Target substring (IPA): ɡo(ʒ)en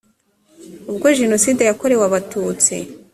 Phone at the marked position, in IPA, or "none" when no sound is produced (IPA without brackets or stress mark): ʒ